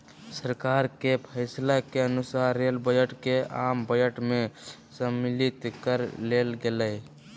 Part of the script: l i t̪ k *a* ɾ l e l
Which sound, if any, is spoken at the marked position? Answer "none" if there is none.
ə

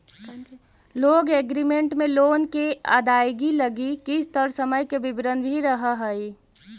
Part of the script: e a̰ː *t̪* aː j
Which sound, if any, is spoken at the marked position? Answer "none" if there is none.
d̪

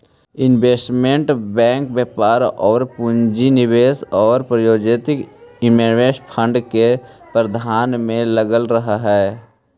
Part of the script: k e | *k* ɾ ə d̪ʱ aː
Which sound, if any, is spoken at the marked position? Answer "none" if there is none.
p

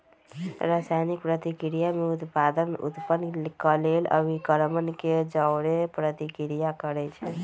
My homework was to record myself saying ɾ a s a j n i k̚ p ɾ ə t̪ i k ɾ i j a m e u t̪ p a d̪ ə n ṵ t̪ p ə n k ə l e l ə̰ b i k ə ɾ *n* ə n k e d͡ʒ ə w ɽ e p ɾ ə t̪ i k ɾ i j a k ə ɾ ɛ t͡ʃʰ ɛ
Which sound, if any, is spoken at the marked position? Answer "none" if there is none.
m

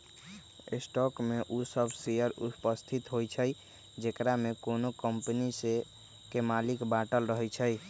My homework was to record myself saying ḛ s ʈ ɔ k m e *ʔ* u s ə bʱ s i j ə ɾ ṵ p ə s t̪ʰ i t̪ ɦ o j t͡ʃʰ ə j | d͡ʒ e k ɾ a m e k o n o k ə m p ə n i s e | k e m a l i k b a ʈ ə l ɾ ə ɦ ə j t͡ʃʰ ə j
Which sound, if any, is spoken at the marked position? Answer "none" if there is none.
ʔ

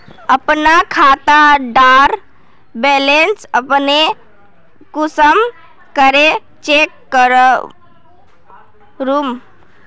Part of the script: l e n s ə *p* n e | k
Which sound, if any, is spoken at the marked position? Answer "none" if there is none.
p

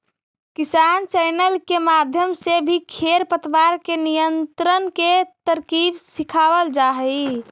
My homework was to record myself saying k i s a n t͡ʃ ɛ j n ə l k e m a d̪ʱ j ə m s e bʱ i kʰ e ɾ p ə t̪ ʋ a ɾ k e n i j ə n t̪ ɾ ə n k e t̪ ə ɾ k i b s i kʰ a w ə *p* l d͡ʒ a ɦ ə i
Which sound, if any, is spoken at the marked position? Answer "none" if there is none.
none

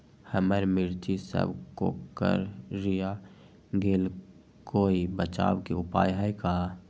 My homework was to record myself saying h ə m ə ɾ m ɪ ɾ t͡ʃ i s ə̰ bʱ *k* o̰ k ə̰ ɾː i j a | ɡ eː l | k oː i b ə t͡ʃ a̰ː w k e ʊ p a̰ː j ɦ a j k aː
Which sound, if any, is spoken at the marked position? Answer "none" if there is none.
k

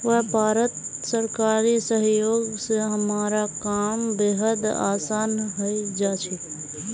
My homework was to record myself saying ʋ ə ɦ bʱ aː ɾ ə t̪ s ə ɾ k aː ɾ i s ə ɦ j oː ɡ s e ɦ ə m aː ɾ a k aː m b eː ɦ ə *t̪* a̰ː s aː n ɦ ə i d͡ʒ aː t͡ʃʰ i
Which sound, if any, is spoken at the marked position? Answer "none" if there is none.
d̪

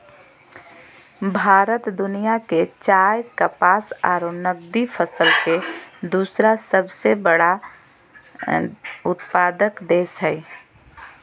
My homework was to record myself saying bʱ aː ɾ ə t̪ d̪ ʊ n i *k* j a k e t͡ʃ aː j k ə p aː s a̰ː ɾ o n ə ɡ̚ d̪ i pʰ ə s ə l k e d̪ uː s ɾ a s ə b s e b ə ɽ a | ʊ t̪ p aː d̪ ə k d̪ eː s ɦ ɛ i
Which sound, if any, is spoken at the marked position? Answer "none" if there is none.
none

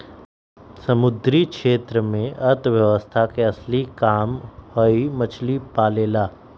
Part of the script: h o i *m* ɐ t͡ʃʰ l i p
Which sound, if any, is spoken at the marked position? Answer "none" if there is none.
m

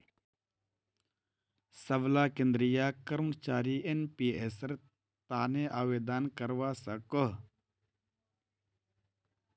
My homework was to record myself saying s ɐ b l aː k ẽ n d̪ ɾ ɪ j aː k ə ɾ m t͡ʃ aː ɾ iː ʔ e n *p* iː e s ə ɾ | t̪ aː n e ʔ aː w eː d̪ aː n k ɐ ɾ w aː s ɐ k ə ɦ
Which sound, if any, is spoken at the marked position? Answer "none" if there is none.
p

